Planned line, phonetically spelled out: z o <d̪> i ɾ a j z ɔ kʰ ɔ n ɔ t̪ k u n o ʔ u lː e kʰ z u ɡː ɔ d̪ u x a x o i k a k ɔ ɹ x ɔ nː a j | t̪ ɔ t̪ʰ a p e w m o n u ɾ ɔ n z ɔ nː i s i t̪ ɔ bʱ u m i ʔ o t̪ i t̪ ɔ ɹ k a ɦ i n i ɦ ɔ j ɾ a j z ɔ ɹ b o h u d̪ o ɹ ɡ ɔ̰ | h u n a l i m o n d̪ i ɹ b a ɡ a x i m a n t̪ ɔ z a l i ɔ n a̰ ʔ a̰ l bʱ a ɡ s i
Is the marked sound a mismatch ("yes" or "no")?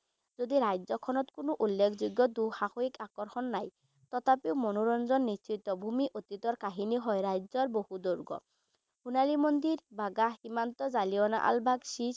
no